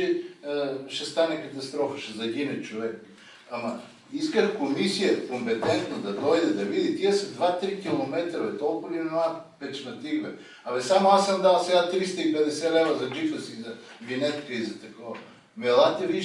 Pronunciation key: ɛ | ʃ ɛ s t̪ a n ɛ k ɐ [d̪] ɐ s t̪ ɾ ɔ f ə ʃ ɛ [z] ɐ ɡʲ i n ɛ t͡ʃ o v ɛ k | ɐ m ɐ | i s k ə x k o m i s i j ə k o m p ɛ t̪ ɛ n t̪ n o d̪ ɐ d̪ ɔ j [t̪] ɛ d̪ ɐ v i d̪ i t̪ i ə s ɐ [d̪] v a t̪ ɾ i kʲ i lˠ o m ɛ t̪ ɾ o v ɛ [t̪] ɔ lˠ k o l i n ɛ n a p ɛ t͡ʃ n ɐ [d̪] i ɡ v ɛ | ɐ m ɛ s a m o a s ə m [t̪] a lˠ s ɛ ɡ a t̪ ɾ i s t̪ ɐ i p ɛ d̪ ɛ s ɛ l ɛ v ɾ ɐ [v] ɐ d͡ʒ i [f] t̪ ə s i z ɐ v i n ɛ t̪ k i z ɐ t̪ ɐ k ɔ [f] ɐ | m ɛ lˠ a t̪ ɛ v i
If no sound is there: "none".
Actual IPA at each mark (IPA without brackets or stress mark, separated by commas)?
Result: t̪, z, d̪, d̪, t̪, t̪, d̪, z, f, v